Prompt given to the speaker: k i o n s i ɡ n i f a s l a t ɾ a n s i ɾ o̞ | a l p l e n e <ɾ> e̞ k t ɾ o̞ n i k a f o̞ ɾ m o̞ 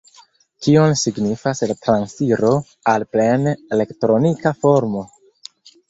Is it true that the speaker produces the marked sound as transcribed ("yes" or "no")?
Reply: no